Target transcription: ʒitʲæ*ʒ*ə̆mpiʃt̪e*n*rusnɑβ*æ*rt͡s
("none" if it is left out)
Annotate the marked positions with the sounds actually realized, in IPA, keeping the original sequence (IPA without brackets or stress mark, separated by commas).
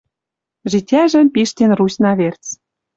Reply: ʒ, n, e